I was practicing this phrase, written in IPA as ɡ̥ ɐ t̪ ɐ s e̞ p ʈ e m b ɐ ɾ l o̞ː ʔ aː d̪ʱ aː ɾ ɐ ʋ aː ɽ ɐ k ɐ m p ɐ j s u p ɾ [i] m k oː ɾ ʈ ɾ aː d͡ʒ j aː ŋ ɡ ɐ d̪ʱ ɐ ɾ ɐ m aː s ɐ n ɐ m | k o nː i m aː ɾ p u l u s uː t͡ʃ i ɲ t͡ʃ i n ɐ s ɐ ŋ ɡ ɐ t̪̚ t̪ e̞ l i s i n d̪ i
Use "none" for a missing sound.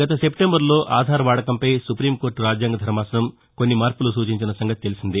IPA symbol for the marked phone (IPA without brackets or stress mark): iː